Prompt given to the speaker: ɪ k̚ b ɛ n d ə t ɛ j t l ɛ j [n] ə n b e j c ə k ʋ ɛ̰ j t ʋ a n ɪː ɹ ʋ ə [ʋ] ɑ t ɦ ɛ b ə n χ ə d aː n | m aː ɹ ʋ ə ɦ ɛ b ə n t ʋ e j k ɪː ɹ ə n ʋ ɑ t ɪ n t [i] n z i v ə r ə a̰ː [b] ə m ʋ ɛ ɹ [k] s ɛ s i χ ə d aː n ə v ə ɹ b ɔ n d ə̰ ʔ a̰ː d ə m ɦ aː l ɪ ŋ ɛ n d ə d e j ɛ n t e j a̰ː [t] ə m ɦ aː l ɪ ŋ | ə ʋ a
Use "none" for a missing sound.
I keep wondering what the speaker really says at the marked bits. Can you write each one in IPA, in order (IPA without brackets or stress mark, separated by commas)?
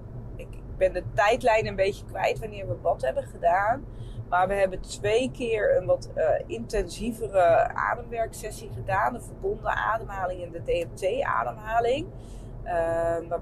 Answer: n, ʋ, ɛ, d, k, d